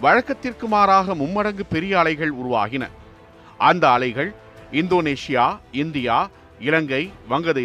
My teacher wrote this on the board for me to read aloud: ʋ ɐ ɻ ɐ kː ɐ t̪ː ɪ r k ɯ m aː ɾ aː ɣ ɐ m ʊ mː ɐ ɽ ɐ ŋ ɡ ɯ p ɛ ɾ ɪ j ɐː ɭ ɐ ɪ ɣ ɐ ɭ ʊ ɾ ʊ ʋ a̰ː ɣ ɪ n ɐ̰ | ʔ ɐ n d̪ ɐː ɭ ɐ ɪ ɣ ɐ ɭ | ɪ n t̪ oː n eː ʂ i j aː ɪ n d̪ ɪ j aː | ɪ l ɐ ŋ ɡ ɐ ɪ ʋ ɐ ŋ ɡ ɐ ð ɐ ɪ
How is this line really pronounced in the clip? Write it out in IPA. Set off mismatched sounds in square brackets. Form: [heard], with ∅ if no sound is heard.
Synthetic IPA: ʋ ɐ ɻ ɐ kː ɐ t̪ː ɪ r k ɯ m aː ɾ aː ɣ ɐ m ʊ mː ɐ ɽ ɐ ŋ ɡ ɯ p ɛ ɾ ɪ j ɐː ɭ ɐ ɪ ɣ ɐ ɭ ʊ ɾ ʊ ʋ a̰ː ɣ ɪ n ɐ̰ | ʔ ɐ n d̪ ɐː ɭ ɐ ɪ ɣ ɐ ɭ | ɪ n [d̪] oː n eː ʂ [ɪ] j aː ɪ n d̪ ɪ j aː | ɪ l ɐ ŋ ɡ ɐ ɪ ʋ ɐ ŋ ɡ ɐ ð ɐ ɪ